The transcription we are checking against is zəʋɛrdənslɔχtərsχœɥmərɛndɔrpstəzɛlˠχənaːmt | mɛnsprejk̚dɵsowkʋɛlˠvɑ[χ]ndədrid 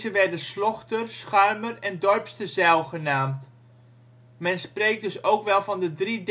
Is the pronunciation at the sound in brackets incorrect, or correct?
incorrect